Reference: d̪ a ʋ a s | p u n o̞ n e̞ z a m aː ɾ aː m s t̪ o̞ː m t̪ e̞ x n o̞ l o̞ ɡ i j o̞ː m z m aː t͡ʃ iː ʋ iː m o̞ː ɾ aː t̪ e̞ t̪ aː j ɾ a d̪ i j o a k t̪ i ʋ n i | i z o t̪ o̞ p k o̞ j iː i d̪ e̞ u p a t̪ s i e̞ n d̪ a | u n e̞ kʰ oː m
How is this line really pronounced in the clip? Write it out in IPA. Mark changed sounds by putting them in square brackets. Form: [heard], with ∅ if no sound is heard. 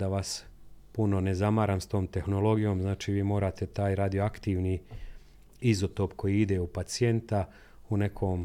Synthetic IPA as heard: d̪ a ʋ a s | p u n o̞ n e̞ z a m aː ɾ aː m s t̪ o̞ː m t̪ e̞ x n o̞ l o̞ ɡ i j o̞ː m z [n] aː t͡ʃ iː ʋ iː m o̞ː ɾ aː t̪ e̞ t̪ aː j ɾ a d̪ i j o a k t̪ i ʋ n i | i z o t̪ o̞ p k o̞ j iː i d̪ e̞ u p a t̪ s i e̞ n [t̪] a | u n e̞ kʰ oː m